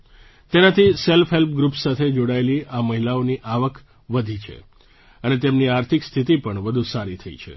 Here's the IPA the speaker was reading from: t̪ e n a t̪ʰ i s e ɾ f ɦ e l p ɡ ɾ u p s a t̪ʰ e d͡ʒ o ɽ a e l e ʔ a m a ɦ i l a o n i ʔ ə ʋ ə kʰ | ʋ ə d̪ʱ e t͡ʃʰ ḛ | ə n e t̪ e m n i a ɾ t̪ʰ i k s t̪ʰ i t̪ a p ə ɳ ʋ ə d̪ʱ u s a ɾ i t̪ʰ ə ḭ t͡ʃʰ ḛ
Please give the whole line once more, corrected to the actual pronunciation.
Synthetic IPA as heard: t̪ e n a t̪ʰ i s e l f ɦ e l p ɡ ɾ u p s a t̪ʰ e d͡ʒ o ɽ a e l i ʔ a m ə ɦ i l a o n i ʔ a ʋ ə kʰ | ʋ ə d̪ʱ i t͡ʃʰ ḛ | ə n e t̪ e m n i a ɾ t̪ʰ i k s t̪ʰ i t̪ i p ə ɳ ʋ ə d̪ʱ u s a ɾ i t̪ʰ ə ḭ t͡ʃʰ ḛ